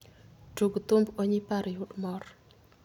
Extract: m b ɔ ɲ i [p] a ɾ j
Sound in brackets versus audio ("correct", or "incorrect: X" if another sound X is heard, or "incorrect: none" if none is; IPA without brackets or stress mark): correct